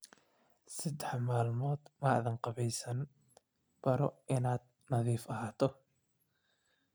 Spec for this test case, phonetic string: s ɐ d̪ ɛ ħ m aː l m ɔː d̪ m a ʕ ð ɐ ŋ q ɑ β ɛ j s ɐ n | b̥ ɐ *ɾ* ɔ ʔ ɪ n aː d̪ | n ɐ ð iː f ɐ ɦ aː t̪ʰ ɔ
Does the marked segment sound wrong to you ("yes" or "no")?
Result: no